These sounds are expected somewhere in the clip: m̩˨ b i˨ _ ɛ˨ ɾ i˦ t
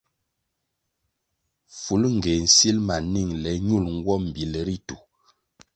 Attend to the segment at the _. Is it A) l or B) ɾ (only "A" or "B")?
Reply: A